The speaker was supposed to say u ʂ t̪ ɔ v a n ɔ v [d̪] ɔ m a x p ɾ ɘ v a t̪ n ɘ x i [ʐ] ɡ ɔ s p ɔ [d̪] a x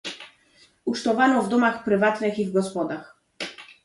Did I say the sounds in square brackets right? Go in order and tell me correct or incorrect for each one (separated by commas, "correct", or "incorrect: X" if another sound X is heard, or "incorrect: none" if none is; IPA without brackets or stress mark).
correct, incorrect: v, correct